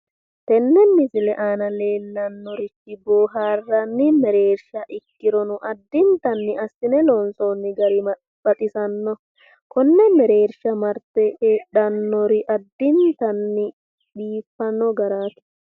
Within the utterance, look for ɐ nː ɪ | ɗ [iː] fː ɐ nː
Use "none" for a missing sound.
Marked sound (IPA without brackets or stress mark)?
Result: iː